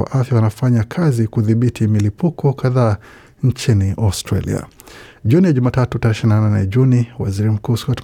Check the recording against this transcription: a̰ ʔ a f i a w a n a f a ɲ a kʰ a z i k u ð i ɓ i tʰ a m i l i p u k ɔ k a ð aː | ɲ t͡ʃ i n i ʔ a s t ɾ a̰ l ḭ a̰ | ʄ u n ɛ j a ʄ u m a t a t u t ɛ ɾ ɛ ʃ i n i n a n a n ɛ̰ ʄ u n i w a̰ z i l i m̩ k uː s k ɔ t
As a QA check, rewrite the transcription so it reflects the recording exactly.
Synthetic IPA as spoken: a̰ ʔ a f j a w a n a f a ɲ a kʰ a z i k u ð i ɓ i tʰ i m i l i p u k ɔ k a ð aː | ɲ t͡ʃ i n i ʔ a s t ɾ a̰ l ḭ a̰ | ʄ u n i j a ʄ u m a t a t u t a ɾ ɛ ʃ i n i n a n a n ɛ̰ ʄ u n i w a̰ z i ɾ i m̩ k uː s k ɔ t